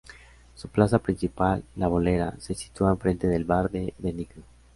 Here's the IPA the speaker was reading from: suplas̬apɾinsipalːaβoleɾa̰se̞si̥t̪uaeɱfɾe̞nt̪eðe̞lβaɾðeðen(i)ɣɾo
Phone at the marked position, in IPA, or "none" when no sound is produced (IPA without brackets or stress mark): i